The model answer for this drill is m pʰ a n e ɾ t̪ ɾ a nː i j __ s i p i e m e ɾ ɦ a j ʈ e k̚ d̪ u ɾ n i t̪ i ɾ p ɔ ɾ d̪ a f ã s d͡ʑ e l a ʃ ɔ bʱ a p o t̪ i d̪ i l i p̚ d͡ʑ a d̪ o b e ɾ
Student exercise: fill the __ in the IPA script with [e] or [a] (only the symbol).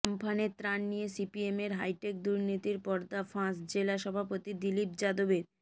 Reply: e